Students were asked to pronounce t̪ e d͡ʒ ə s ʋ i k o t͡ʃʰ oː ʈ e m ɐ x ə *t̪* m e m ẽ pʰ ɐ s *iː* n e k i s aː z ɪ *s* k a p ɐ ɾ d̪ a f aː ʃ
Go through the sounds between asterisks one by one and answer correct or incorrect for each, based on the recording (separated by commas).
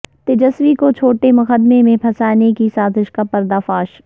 incorrect, incorrect, incorrect